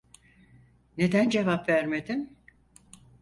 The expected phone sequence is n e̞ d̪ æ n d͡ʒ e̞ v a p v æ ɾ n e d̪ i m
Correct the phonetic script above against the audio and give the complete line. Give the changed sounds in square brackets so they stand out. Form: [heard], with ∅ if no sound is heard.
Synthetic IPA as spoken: n e̞ d̪ æ n d͡ʒ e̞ v a p v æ ɾ [m] e d̪ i m